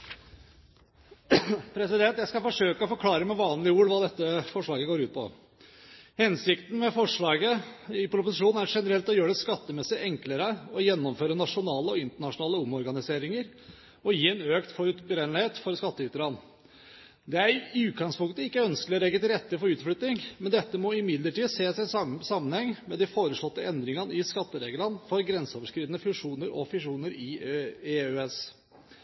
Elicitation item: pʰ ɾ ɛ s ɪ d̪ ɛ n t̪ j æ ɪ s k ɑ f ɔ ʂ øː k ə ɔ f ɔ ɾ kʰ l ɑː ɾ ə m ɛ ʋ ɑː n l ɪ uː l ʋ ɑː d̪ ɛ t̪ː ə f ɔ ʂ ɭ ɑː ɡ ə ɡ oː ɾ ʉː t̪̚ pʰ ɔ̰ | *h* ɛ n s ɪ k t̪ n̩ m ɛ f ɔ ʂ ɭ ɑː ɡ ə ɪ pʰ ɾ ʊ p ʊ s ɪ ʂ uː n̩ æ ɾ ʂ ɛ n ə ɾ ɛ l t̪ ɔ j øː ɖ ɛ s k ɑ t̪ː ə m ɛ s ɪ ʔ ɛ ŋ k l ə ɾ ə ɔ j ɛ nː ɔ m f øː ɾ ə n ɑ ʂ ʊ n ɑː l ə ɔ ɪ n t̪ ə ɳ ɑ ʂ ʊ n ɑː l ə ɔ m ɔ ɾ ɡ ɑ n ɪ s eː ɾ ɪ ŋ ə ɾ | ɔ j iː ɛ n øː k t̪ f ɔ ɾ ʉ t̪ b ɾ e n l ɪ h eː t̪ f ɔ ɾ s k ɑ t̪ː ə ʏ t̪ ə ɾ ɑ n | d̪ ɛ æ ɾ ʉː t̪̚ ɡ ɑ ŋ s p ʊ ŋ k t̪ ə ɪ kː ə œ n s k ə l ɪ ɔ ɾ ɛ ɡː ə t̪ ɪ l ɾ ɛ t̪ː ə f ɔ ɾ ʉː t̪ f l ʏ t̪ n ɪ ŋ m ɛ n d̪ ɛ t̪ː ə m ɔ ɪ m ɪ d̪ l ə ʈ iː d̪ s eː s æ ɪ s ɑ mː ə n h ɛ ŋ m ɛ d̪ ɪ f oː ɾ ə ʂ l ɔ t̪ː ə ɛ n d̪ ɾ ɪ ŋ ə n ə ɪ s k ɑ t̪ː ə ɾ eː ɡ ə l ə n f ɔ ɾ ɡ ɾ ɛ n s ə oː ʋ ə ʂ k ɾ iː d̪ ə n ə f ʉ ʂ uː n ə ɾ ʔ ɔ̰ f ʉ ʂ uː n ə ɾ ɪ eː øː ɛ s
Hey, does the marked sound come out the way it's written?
yes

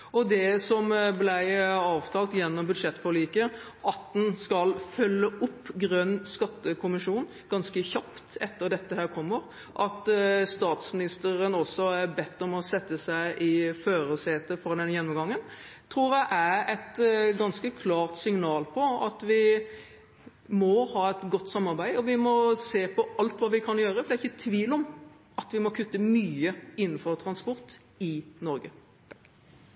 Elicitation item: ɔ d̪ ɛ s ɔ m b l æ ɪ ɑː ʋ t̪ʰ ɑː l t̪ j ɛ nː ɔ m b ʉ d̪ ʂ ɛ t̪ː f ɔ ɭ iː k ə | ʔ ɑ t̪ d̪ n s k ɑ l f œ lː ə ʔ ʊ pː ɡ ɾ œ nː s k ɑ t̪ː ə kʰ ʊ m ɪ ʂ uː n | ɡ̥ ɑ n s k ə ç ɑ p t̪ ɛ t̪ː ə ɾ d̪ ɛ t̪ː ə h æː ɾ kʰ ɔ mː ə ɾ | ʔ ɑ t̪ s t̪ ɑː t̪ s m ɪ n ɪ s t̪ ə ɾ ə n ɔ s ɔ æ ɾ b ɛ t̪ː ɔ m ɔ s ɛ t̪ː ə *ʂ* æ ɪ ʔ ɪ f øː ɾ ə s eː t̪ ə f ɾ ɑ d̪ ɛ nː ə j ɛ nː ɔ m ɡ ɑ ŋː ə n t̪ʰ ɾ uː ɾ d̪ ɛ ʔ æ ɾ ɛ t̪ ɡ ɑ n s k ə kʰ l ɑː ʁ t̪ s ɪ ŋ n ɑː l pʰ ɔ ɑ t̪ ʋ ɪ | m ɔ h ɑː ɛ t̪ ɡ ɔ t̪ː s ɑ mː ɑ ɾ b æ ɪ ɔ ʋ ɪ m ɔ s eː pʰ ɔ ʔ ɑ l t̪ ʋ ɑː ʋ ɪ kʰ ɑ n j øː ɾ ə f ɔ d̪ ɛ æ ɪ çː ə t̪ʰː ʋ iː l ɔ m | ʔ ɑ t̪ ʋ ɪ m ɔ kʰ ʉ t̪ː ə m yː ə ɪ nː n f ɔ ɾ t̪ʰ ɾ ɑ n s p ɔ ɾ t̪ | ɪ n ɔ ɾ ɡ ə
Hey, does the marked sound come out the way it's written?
no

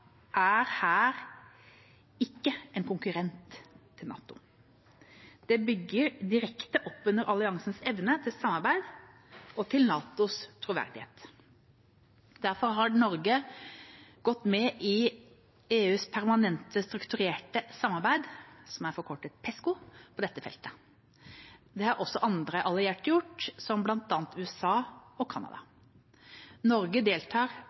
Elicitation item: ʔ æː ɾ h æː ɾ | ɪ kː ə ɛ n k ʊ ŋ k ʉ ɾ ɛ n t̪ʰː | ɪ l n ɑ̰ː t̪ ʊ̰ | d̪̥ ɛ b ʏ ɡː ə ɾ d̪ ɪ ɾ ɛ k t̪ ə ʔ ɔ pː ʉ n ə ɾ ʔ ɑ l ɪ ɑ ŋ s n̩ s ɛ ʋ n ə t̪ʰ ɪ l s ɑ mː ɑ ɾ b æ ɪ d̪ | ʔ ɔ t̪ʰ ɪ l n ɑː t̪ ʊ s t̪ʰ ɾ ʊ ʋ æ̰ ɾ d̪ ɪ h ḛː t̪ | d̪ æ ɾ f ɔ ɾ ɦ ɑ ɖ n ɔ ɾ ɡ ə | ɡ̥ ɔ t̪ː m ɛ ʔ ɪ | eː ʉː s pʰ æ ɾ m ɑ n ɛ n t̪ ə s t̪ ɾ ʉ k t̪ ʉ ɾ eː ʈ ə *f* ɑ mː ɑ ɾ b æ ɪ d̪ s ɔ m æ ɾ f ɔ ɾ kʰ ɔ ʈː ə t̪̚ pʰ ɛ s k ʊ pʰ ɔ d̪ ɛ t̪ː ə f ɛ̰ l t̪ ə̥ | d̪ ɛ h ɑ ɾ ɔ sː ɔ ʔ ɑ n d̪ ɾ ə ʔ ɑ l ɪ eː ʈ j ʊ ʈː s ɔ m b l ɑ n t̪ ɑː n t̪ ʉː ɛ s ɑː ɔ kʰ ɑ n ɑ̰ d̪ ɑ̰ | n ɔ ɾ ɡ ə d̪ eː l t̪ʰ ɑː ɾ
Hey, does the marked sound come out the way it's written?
no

